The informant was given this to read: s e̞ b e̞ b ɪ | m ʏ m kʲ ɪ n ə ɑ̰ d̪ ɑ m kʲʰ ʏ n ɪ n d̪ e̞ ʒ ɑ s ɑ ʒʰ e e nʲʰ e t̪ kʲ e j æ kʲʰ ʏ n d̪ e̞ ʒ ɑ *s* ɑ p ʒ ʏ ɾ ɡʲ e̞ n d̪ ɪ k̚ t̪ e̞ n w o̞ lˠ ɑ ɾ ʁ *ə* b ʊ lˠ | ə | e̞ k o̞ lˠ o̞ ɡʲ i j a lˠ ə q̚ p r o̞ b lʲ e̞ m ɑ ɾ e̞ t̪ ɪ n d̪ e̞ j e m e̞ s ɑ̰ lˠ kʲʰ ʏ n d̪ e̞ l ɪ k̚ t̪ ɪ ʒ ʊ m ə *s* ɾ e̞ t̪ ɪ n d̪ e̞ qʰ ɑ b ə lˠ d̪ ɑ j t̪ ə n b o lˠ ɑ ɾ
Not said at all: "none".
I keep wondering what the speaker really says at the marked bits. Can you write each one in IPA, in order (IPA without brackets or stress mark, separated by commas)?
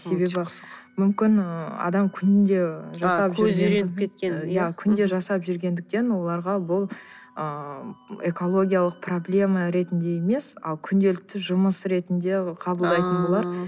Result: s, ɑ, s